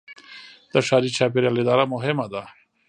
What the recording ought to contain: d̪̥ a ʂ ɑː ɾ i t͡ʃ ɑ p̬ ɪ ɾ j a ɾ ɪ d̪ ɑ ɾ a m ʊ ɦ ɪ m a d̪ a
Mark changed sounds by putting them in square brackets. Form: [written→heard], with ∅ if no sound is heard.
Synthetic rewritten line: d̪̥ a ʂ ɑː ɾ i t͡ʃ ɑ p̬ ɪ ɾ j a [ɾ→l] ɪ d̪ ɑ ɾ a m ʊ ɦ ɪ m a d̪ a